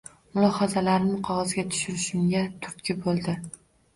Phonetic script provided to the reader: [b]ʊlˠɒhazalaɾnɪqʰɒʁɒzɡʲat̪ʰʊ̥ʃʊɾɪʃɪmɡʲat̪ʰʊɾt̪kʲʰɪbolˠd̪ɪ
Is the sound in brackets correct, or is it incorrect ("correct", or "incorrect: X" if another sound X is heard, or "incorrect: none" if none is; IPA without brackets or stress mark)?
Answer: incorrect: m